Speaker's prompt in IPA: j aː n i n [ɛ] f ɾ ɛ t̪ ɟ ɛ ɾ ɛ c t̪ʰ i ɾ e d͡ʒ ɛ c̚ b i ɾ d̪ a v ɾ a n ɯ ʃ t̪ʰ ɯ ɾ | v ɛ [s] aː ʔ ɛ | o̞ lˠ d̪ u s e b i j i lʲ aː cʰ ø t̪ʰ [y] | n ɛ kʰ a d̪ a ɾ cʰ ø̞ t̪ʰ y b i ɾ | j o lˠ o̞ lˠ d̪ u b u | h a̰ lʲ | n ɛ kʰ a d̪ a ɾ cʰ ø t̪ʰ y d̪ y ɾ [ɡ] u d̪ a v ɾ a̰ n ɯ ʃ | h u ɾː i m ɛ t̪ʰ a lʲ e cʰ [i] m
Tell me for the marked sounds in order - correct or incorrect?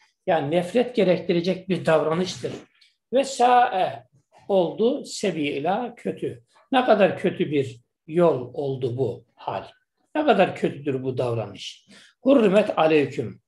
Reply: correct, correct, correct, incorrect, incorrect

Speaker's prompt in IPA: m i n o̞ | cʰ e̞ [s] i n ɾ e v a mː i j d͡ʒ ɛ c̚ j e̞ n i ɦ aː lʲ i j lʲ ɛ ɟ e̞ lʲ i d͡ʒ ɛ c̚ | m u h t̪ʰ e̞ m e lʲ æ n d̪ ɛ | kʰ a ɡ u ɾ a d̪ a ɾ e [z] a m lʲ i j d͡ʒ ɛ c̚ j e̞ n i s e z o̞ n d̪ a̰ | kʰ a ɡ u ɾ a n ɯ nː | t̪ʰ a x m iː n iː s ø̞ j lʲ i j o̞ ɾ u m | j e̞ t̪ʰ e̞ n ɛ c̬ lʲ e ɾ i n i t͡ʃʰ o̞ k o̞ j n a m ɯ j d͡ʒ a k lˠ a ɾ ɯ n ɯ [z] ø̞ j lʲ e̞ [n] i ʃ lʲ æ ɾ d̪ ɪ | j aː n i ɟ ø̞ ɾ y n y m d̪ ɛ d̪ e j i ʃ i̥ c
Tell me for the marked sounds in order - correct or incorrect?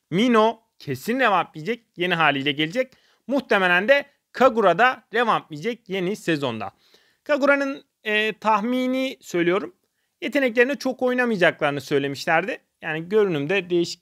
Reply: correct, incorrect, incorrect, incorrect

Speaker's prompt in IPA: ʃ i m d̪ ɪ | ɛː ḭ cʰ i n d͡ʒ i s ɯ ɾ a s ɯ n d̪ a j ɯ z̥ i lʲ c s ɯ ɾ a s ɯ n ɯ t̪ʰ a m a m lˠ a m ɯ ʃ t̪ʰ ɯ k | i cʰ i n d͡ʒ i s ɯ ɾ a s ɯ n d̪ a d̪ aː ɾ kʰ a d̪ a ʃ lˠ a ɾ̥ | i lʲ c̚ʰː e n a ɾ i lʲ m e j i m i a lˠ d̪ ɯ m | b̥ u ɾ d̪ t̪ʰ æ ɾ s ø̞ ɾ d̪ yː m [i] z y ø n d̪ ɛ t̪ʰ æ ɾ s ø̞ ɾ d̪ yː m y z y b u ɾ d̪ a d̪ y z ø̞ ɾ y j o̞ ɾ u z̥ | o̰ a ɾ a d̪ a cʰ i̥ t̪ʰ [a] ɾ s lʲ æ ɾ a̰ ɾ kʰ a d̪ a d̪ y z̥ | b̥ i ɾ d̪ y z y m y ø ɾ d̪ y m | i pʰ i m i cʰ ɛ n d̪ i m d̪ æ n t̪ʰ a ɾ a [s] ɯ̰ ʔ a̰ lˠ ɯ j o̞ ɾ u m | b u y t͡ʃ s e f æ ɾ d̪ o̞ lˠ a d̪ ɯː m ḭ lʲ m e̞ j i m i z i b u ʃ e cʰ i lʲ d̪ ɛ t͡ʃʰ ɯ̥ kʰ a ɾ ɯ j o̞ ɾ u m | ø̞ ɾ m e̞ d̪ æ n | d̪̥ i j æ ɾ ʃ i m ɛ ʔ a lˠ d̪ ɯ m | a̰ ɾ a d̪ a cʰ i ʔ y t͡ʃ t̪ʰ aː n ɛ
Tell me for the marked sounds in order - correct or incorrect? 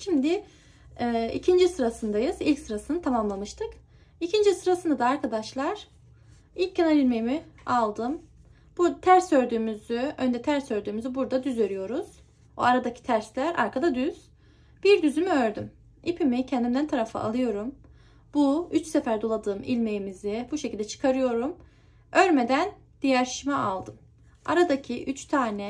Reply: incorrect, incorrect, incorrect

